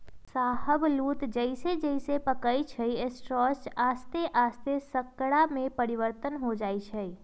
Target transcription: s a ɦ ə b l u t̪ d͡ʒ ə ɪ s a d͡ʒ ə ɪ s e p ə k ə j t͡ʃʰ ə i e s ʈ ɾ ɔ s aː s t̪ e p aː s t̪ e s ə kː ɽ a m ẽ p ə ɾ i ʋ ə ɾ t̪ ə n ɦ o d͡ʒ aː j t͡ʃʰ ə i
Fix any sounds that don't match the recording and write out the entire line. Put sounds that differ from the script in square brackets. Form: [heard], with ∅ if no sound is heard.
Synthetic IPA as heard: s a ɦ ə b l u t̪ d͡ʒ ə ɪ s [e] d͡ʒ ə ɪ s e p ə k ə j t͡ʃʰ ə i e s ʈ ɾ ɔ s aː s t̪ e [ʔ] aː s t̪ e s ə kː ɽ a m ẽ p ə ɾ i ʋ ə ɾ t̪ ə n ɦ o d͡ʒ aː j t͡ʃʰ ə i